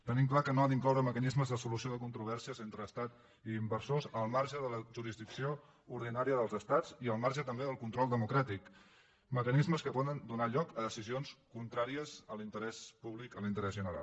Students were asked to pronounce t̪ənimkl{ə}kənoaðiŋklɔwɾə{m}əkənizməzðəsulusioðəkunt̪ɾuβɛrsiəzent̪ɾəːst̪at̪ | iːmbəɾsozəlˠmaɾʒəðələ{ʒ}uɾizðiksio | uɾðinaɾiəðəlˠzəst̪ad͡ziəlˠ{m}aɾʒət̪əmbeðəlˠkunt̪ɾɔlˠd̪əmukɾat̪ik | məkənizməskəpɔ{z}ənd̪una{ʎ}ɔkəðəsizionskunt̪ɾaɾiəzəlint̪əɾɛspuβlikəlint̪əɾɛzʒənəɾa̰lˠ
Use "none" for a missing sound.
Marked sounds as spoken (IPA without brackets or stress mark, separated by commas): a, m, ʒ, m, ð, ʎ